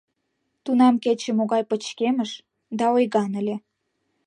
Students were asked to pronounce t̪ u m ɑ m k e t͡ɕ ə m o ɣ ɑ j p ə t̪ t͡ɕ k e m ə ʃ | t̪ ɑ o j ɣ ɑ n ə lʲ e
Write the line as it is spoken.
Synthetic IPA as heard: t̪ u n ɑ m k e t͡ɕ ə m o ɣ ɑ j p ə t͡ɕ k e m ə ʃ | d̪ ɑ o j ɣ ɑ n ə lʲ e